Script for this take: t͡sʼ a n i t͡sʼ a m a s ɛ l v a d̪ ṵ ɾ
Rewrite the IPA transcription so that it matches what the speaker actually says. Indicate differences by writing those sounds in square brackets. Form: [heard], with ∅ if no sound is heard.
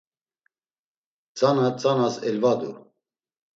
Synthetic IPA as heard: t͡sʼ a n [a] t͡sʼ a [n] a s ɛ l v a d̪ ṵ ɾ